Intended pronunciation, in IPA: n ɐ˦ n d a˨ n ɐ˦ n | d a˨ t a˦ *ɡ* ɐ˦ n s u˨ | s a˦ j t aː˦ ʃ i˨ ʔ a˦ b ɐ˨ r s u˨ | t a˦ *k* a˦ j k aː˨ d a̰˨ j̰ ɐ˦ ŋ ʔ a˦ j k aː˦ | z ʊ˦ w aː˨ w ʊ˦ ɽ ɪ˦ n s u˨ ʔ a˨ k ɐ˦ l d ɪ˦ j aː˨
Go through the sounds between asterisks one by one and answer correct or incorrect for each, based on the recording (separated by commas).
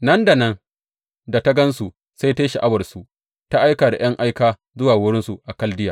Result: correct, incorrect